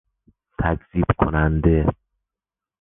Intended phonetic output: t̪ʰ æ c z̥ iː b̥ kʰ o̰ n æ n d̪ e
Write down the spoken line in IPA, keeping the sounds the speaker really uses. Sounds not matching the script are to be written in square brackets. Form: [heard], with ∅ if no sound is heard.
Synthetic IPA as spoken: t̪ʰ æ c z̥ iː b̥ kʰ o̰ n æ n d̪ e